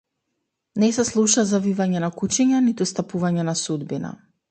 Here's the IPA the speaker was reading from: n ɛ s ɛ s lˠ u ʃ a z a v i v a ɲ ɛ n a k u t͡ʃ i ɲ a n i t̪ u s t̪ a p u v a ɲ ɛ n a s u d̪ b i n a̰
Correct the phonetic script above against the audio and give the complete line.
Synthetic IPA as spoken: n ɛ s ɛ s lˠ u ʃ a z a v i v a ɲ ɛ n a k u t͡ʃ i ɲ a n i t̪ u s t̪ a p u v a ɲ ɛ n a s u d̪ b i n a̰